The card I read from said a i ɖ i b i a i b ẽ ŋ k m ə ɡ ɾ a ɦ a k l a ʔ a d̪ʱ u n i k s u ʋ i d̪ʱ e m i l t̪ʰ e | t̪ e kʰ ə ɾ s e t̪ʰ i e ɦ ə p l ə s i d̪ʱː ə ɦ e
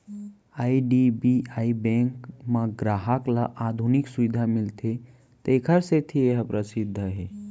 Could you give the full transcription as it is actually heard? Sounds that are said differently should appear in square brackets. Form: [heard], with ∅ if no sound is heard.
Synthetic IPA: a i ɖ i b i a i b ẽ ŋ k m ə ɡ ɾ a ɦ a k l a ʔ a d̪ʱ u n i k s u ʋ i d̪ʱ [a] m i l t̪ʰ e | t̪ e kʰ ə ɾ s e t̪ʰ i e ɦ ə p [ɾ] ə s i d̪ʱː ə ɦ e